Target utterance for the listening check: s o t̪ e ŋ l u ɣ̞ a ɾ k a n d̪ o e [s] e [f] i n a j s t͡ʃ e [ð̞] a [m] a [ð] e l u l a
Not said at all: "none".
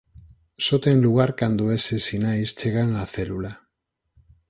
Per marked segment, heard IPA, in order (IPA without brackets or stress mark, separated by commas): s, s, ɣ̞, ŋ, θ